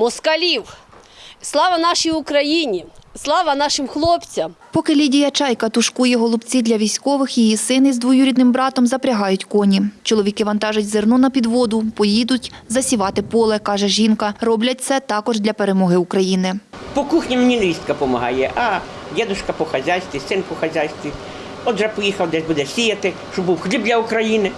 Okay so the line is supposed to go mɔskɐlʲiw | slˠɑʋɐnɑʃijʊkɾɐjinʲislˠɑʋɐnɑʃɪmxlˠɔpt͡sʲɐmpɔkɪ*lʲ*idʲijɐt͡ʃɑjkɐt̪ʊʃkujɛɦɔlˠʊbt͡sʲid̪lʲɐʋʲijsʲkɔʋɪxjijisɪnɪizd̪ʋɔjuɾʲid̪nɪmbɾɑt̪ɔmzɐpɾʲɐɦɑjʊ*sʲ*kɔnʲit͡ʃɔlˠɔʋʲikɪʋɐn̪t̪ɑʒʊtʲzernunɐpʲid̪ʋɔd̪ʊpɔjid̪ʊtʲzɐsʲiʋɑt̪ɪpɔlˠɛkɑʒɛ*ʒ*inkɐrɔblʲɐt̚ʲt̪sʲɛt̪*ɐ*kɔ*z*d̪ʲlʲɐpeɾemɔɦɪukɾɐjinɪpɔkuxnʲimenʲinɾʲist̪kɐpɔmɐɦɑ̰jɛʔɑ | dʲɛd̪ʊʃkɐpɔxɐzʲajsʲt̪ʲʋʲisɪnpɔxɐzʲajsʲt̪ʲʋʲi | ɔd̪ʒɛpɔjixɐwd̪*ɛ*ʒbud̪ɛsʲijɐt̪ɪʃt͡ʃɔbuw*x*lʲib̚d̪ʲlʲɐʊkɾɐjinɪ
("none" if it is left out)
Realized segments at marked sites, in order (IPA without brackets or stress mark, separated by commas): lʲ, tʲ, ʒ, ɑ, ʒ, ɛ, x